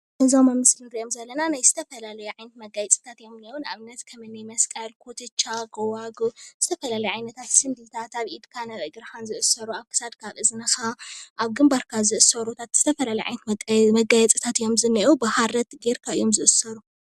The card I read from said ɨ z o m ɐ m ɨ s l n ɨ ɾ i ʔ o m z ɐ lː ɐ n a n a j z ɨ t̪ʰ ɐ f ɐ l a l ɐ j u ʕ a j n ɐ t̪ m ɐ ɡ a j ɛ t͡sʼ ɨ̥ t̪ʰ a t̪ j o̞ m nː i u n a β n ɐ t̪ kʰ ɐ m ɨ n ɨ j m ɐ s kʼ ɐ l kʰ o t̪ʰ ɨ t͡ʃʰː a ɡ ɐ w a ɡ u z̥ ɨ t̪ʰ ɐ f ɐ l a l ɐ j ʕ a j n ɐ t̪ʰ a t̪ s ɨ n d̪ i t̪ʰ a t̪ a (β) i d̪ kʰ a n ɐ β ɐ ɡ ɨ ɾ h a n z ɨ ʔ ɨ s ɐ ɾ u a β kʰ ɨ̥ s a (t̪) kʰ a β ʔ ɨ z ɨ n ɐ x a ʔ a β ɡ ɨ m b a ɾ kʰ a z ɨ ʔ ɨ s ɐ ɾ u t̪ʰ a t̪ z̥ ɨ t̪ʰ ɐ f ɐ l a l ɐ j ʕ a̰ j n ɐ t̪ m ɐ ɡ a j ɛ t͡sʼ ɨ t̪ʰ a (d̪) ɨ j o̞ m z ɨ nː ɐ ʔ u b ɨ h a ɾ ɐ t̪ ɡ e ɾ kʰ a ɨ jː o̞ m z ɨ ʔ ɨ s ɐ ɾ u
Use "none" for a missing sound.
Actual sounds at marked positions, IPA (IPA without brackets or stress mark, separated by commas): β, d̪, t̪